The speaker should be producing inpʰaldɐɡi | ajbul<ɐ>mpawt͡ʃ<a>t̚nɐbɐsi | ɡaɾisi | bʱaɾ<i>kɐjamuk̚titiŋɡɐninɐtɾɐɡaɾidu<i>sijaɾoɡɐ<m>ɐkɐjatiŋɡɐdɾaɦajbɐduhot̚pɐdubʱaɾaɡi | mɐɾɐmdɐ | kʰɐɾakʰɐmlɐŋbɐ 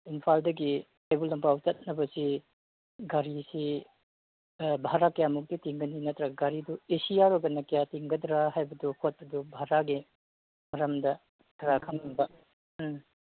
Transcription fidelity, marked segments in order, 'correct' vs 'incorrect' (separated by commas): correct, incorrect, incorrect, incorrect, incorrect